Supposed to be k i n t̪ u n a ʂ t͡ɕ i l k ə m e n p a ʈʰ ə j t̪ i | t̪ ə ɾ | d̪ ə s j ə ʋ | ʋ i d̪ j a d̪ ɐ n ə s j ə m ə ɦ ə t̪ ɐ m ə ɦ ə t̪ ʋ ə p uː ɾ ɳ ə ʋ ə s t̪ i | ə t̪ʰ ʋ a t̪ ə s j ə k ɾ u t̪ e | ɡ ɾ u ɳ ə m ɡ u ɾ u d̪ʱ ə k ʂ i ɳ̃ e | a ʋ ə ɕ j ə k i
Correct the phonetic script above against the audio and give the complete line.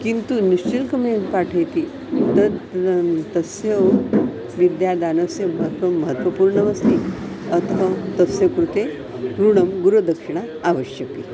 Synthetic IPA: k i n t̪ u n i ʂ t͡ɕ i l k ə m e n p a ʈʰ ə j t̪ i | t̪ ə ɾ | t̪ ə s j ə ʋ | ʋ i d̪ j a d̪ a n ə s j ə m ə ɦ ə t̪ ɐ m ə ɦ ə t̪ ʋ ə p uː ɾ ɳ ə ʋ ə s t̪ i | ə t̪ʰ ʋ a t̪ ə s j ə k ɾ u t̪ e | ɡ ɾ u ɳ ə m ɡ u ɾ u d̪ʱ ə k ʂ i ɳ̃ a | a ʋ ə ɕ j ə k i

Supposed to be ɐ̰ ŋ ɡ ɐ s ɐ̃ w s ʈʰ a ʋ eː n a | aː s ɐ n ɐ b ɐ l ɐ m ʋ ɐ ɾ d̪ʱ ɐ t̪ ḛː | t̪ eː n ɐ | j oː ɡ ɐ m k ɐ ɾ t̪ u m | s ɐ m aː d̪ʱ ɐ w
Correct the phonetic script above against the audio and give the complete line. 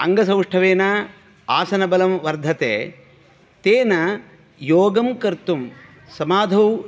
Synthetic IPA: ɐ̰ ŋ ɡ ɐ s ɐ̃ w ʂ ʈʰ ɐ ʋ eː n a | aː s ɐ n ɐ b ɐ l ɐ m ʋ ɐ ɾ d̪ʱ ɐ t̪ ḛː | t̪ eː n ɐ | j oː ɡ ɐ m k ɐ ɾ t̪ u m | s ɐ m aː d̪ʱ ɐ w

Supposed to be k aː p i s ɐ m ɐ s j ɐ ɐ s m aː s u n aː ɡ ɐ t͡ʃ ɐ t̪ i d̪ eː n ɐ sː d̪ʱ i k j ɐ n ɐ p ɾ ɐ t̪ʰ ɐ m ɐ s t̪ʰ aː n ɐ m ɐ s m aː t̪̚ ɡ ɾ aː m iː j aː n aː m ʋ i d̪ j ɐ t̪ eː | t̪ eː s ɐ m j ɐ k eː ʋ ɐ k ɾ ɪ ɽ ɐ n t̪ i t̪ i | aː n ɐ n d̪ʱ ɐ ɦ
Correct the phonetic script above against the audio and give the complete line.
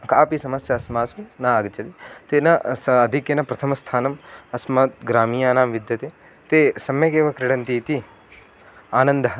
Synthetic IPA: k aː p i s ɐ m ɐ s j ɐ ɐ s m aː s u n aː ɡ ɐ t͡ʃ ɐ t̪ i t̪ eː n ɐ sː d̪ʱ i k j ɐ n ɐ p ɾ ɐ t̪ʰ ɐ m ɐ s t̪ʰ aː n ɐ m ɐ s m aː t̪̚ ɡ ɾ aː m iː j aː n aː m ʋ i d̪ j ɐ t̪ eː | t̪ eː s ɐ m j ɐ k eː ʋ ɐ k ɾ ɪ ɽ ɐ n t̪ i t̪ i | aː n ɐ n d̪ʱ ɐ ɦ

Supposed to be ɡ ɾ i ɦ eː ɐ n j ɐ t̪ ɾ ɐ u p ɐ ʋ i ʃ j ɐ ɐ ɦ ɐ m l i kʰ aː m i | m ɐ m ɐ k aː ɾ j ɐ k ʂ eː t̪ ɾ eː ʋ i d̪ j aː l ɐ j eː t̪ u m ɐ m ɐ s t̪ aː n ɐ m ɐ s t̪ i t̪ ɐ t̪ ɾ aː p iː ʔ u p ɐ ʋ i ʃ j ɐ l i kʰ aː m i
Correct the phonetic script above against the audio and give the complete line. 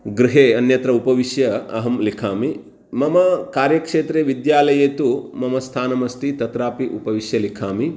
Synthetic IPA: ɡ ɾ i ɦ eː ɐ n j ɐ t̪ ɾ ɐ u p ɐ ʋ i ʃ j ɐ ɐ ɦ ɐ m l i kʰ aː m i | m ɐ m ɐ k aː ɾ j ɐ k ʂ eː t̪ ɾ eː ʋ i d̪ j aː l ɐ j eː t̪ u m ɐ m ɐ s t̪ʰ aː n ɐ m ɐ s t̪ i t̪ ɐ t̪ ɾ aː p i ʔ u p ɐ ʋ i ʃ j ɐ l i kʰ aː m i

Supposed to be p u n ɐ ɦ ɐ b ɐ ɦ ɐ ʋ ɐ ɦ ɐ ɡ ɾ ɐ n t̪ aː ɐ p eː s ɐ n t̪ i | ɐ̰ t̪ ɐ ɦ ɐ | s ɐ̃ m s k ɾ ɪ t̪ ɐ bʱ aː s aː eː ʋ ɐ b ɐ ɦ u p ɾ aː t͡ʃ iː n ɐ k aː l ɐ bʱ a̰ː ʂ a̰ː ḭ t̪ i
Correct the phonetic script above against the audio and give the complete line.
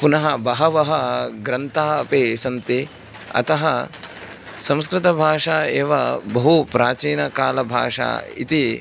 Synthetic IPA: p u n ɐ ɦ ɐ b ɐ ɦ ɐ ʋ ɐ ɦ ɐ ɡ ɾ ɐ n t̪ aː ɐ p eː s ɐ n t̪ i | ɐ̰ t̪ ɐ ɦ ɐ | s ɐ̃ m s k ɾ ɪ t̪ ɐ bʱ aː ʂ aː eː ʋ ɐ b ɐ ɦ u p ɾ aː t͡ʃ iː n ɐ k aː l ɐ bʱ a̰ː ʂ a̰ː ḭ t̪ i

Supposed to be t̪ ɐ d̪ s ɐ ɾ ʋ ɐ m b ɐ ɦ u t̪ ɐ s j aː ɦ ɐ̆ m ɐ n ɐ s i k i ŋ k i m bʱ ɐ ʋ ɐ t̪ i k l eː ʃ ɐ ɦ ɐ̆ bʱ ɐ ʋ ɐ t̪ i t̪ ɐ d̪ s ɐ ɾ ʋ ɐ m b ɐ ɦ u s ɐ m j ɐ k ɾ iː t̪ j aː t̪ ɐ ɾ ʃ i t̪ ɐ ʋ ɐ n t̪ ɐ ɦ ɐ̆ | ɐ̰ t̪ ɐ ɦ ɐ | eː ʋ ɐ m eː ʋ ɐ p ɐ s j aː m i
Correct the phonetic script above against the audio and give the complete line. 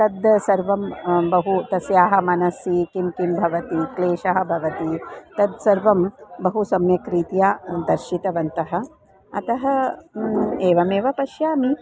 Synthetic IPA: t̪ ɐ d̪ s ɐ ɾ ʋ ɐ m b ɐ ɦ u t̪ ɐ s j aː ɦ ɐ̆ m ɐ n ɐ s i k i m k i m bʱ ɐ ʋ ɐ t̪ i k l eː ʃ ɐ ɦ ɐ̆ bʱ ɐ ʋ ɐ t̪ i t̪ ɐ d̪ s ɐ ɾ ʋ ɐ m b ɐ ɦ u s ɐ m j ɐ k ɾ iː t̪ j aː d̪ ɐ ɾ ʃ i t̪ ɐ ʋ ɐ n t̪ ɐ ɦ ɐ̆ | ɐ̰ t̪ ɐ ɦ ɐ | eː ʋ ɐ m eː ʋ ɐ p ɐ ʃ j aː m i

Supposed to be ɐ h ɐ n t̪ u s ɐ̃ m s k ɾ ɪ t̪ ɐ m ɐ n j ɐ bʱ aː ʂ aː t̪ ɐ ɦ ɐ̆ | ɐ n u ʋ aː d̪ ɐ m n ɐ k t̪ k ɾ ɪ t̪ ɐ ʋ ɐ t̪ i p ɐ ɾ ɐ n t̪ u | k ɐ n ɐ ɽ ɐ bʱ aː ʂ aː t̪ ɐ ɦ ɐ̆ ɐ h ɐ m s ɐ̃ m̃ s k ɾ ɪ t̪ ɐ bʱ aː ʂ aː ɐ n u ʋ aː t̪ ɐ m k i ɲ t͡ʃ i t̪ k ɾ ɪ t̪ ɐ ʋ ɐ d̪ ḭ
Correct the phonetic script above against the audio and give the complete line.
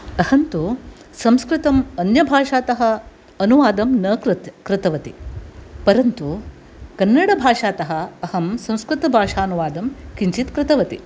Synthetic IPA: ɐ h ɐ n t̪ u s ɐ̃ m s k ɾ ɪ t̪ ɐ m ɐ n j ɐ bʱ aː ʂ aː t̪ ɐ ɦ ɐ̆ | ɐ n u ʋ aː d̪ ɐ m n ɐ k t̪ k ɾ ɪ t̪ ɐ ʋ ɐ t̪ i p ɐ ɾ ɐ n t̪ u | k ɐ nː ɐ ɽ ɐ bʱ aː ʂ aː t̪ ɐ ɦ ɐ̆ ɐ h ɐ m s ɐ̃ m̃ s k ɾ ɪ t̪ ɐ bʱ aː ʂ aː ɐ n u ʋ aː d̪ ɐ m k i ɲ t͡ʃ i t̪ k ɾ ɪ t̪ ɐ ʋ ɐ t̪ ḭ

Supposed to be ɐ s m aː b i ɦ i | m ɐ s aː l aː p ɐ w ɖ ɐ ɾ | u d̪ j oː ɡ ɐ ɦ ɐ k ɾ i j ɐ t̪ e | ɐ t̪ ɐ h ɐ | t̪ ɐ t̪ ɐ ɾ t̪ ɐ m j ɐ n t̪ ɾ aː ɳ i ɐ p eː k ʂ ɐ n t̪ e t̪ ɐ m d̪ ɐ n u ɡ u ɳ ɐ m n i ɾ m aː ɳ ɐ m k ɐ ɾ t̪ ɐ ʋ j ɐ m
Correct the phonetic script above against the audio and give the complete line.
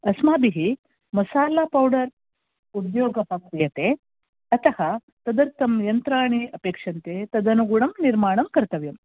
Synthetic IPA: ɐ s m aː b i ɦ i | m ɐ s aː l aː p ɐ w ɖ ɐ ɾ | u d̪ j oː ɡ ɐ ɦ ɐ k ɾ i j ɐ t̪ e | ɐ t̪ ɐ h ɐ | t̪ ɐ d̪ ɐ ɾ t̪ ɐ m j ɐ n t̪ ɾ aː ɳ i ɐ p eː k ʂ ɐ n t̪ e t̪ ɐ d̪ ɐ n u ɡ u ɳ ɐ m n i ɾ m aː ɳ ɐ m k ɐ ɾ t̪ ɐ ʋ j ɐ m

